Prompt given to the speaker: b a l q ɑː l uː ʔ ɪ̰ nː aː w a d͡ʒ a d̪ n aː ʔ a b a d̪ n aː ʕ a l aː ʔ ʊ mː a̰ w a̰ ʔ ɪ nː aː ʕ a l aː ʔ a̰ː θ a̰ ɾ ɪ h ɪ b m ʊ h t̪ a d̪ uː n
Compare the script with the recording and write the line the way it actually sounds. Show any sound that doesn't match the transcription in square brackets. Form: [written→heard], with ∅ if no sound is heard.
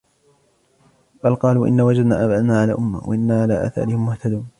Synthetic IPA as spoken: b a l q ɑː l uː ʔ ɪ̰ nː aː w a d͡ʒ a d̪ n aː ʔ a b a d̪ n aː ʕ a l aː ʔ ʊ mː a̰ w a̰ ʔ ɪ nː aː ʕ a l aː ʔ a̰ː θ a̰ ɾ ɪ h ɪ [b→m] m ʊ h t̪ a d̪ uː n